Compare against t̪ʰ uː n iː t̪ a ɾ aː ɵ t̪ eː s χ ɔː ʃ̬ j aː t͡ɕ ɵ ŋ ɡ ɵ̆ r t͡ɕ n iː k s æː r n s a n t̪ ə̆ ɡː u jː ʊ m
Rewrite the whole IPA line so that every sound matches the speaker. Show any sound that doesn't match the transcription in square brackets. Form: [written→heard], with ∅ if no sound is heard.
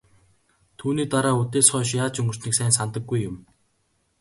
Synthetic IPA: t̪ʰ uː n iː t̪ a ɾ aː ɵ t̪ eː s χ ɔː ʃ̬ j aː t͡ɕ ɵ ŋ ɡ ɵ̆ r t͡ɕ n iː k s æː [r→∅] n s a n t̪ ə̆ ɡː u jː ʊ m

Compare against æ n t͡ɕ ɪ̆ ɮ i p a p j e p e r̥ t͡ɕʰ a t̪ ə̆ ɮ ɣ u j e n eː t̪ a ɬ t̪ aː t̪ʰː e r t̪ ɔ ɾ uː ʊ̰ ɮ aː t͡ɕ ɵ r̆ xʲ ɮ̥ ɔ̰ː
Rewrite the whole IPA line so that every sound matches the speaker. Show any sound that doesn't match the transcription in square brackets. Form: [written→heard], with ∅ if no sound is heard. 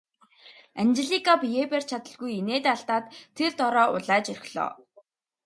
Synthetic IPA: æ n t͡ɕ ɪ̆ ɮ i [p→k] a p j e p e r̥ t͡ɕʰ a t̪ ə̆ ɮ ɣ u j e n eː t̪ a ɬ t̪ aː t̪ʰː e r t̪ ɔ ɾ [uː→ɔː] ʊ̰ ɮ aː t͡ɕ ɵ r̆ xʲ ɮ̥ ɔ̰ː

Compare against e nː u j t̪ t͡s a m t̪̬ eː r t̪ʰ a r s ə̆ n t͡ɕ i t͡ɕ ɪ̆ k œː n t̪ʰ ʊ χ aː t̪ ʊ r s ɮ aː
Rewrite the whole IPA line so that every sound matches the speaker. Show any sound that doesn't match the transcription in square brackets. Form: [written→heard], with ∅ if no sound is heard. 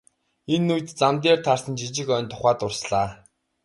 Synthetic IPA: e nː u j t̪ t͡s a m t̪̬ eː r t̪ʰ a r s ə̆ n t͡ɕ i t͡ɕ ɪ̆ k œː n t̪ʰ ʊ χ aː t̪ ʊ r s ɮ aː

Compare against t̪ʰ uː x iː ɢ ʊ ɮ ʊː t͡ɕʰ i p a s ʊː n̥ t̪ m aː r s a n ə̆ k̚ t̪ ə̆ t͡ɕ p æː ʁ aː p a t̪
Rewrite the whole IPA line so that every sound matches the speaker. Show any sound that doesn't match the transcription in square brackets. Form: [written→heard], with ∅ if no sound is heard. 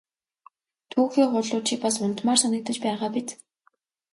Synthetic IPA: t̪ʰ uː x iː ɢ ʊ ɮ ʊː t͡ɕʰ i p a s [ʊː→ʊ] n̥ t̪ m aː r s a n ə̆ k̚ t̪ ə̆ t͡ɕ p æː ʁ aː p [a→i] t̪

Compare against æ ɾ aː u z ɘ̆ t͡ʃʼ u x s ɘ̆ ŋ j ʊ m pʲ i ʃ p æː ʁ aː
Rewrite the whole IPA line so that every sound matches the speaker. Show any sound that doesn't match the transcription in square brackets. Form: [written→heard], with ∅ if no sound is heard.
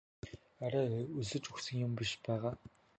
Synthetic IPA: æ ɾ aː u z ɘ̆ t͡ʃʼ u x s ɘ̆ ŋ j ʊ m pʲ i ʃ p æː ʁ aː

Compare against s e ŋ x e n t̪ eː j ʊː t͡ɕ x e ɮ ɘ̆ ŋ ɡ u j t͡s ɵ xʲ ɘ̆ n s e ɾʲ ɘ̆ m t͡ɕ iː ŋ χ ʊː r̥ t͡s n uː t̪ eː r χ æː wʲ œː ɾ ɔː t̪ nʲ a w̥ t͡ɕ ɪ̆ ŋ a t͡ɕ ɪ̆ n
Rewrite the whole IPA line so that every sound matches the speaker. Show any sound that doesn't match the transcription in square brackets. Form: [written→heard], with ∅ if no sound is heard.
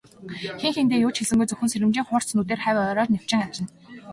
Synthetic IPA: [s→x] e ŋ x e n t̪ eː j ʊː t͡ɕ x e ɮ ɘ̆ ŋ ɡ u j t͡s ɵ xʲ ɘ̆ n s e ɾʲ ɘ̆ m t͡ɕ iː ŋ χ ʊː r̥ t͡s n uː t̪ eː r χ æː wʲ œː ɾ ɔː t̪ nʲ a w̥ t͡ɕ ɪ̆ ŋ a t͡ɕ ɪ̆ n

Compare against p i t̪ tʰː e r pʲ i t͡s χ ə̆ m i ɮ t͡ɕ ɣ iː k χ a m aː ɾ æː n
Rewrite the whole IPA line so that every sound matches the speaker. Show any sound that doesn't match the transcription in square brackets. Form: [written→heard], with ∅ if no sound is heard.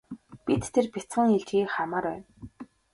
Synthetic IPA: p i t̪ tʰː e r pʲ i t͡s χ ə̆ [m→ŋ] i ɮ t͡ɕ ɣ iː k χ a m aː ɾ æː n

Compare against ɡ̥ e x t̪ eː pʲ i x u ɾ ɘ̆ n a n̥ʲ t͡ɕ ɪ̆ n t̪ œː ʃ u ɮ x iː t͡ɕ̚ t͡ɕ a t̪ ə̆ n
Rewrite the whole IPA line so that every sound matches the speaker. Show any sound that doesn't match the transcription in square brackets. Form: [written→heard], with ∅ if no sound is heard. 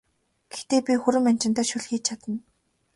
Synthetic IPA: ɡ̥ e x t̪ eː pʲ i x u ɾ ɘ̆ [n→m] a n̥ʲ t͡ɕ ɪ̆ n t̪ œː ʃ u ɮ x iː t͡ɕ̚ [t͡ɕ→t͡ɕʰ] a t̪ ə̆ n

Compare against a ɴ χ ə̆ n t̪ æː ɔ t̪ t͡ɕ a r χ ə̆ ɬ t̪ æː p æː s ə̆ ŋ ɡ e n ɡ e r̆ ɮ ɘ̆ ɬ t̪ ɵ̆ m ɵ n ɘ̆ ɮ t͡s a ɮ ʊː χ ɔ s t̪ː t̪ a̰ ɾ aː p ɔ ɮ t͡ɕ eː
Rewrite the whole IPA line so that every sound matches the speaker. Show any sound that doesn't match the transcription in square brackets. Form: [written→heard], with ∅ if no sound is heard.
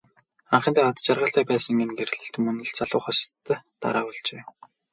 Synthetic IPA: a ɴ χ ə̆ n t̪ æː ɔ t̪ t͡ɕ a r [χ→ʁ] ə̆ ɬ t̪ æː p æː s ə̆ ŋ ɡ e n ɡ e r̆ ɮ ɘ̆ ɬ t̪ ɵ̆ m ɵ n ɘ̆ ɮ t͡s a ɮ ʊː χ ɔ s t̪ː t̪ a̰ ɾ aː p ɔ ɮ t͡ɕ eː

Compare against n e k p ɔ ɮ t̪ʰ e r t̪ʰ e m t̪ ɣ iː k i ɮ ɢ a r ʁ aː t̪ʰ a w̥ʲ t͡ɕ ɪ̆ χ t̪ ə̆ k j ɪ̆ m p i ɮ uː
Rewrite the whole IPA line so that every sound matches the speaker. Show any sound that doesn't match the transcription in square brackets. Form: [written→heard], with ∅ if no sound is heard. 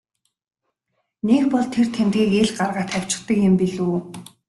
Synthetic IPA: n e k p ɔ ɮ t̪ʰ e r t̪ʰ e m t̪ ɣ iː k [i→e] ɮ ɢ a r ʁ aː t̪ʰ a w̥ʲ t͡ɕ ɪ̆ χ t̪ ə̆ k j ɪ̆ m p i ɮ uː

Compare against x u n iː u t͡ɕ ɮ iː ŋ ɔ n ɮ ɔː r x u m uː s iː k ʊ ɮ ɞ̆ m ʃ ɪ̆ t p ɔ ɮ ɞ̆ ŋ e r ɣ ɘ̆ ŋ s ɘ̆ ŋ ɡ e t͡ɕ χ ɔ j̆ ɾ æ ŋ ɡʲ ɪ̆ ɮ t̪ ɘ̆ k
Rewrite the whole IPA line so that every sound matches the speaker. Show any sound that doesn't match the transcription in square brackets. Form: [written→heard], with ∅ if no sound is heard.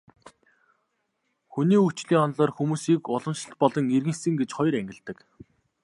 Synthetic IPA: x u n iː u t͡ɕ ɮ iː ŋ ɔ n ɮ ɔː r x u m uː s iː k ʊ ɮ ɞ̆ m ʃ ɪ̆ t p ɔ ɮ ɞ̆ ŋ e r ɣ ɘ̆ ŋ s ɘ̆ ŋ ɡ e t͡ɕ χ ɔ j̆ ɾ æ ŋ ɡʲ ɪ̆ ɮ t̪ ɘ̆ k

